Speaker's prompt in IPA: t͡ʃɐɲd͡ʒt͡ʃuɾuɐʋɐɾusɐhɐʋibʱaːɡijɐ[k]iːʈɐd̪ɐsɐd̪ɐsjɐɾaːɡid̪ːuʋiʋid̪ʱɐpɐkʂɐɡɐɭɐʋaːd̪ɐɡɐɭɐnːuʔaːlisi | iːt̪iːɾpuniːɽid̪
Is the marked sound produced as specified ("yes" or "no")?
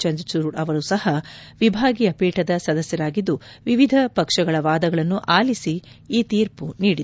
no